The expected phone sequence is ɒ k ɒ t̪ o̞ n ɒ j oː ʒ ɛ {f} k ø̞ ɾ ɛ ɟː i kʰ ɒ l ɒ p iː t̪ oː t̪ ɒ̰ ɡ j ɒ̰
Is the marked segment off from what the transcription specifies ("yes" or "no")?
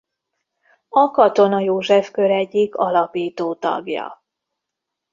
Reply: no